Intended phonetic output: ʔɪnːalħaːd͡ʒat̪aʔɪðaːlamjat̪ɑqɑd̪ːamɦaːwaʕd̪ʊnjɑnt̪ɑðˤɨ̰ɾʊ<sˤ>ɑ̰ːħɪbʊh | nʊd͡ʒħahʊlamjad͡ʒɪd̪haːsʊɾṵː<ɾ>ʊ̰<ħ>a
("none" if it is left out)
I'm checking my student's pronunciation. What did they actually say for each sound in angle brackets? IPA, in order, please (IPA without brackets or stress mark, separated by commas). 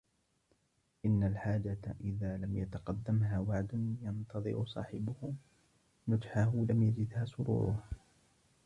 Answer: sˤ, ɾ, h